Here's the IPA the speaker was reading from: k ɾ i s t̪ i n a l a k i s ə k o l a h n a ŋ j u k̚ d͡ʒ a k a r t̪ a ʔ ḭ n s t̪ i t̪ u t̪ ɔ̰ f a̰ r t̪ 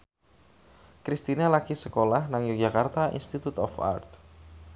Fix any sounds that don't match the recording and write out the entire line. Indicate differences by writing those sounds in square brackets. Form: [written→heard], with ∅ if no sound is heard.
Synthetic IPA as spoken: k ɾ i s t̪ i n a l a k i s ə k o l a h n a ŋ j u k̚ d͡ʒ a k a r t̪ a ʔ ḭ n s t̪ i t̪ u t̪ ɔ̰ f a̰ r t̪